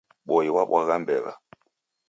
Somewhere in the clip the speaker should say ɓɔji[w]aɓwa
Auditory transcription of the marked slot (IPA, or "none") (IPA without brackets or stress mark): w